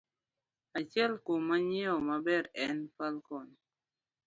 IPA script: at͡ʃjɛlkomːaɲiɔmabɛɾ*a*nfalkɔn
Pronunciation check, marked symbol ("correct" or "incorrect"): incorrect